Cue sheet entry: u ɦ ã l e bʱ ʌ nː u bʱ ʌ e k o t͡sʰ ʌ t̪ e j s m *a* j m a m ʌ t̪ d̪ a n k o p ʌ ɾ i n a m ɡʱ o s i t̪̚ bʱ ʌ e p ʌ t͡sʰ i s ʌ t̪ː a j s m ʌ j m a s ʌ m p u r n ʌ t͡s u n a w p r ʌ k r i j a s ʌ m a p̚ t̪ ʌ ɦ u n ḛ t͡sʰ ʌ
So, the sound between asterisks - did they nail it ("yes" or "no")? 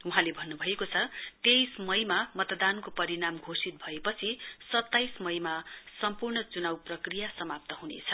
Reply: no